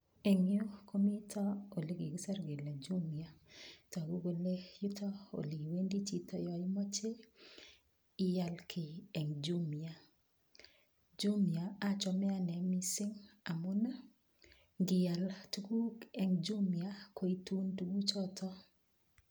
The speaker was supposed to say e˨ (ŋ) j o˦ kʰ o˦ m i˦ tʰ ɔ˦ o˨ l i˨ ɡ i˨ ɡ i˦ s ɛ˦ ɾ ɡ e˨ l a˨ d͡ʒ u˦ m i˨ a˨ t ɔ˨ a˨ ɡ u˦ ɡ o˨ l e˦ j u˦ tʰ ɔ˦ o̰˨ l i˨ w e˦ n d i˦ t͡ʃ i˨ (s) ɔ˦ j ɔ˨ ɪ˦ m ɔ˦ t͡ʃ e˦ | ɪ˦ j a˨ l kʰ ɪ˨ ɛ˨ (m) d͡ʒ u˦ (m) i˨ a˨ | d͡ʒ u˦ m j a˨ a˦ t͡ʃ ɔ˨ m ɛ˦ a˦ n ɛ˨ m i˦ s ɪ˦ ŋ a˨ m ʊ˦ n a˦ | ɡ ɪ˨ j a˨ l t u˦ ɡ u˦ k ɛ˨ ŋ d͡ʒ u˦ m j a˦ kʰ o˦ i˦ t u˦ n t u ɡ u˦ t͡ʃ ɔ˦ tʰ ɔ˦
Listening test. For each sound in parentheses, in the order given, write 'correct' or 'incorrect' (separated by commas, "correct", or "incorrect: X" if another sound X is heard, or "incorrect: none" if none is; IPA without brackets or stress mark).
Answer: correct, incorrect: t, incorrect: ŋ, correct